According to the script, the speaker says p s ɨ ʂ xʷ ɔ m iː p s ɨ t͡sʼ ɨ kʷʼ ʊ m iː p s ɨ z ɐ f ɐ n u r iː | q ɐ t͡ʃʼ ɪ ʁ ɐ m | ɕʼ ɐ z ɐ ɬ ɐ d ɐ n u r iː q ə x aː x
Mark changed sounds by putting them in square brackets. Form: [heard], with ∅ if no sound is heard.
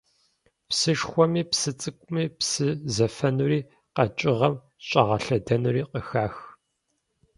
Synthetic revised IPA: p s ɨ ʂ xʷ ɔ m iː p s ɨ t͡sʼ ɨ kʷʼ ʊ m iː p s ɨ z ɐ f ɐ n u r iː | q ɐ t͡ʃʼ ɪ ʁ ɐ m | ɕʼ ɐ [ʁ] ɐ ɬ ɐ d ɐ n u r iː q ə x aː x